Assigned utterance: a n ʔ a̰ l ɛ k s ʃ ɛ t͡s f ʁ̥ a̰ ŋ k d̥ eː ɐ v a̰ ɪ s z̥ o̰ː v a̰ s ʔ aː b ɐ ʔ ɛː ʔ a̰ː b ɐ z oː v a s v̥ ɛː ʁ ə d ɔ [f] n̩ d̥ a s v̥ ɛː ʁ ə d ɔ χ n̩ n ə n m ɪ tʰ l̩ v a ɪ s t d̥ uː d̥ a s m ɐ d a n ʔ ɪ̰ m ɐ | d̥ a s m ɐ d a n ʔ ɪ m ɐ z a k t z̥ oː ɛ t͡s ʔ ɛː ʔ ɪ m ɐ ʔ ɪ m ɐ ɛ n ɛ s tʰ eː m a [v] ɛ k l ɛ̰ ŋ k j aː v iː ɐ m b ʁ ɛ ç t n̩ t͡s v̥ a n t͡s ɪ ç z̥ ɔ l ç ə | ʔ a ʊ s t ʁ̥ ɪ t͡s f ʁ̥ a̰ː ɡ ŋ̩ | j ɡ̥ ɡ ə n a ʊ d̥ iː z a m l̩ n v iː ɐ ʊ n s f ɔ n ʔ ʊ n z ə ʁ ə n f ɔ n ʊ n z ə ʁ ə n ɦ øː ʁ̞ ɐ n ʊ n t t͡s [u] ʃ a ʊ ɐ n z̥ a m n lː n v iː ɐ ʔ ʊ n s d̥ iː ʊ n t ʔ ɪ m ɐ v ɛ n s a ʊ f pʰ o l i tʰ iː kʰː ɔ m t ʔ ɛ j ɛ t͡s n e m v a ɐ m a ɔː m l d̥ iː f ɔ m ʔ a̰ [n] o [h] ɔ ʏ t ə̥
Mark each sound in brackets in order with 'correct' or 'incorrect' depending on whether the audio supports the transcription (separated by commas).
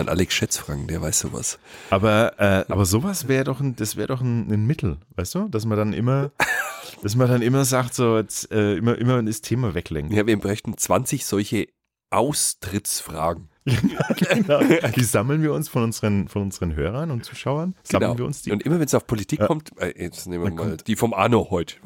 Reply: incorrect, correct, incorrect, correct, correct